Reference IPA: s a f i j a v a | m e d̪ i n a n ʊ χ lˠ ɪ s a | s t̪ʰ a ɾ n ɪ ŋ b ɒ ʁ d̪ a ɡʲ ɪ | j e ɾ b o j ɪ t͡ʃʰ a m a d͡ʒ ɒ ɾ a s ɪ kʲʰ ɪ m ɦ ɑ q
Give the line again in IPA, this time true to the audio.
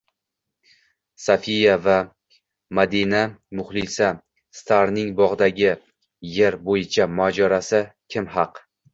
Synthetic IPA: s a f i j a v a | m a d̪ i n a m ʊ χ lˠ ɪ s a | s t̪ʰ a ɾ n ɪ ŋ b ɒ ʁ d̪ a ɡʲ ɪ | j e ɾ b o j ɪ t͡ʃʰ a m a d͡ʒ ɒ ɾ a s ɪ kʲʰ ɪ m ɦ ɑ q